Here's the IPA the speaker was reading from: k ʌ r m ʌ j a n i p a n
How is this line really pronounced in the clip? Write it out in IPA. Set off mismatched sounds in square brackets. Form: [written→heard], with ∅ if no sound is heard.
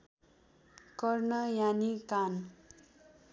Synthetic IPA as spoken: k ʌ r [m→n] ʌ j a n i [p→k] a n